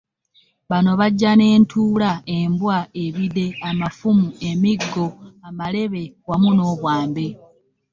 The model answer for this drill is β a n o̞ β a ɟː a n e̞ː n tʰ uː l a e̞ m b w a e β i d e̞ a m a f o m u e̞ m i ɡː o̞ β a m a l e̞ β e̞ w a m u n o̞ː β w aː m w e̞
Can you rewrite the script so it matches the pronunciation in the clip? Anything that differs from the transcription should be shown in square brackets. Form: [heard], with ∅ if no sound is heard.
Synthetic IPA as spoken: β a n o̞ β a ɟː a n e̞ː n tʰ uː l a e̞ m b w a e β i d e̞ a m a f [u] m u e̞ m i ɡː o̞ [∅] a m a l e̞ β e̞ w a m u n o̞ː β w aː m [b] e̞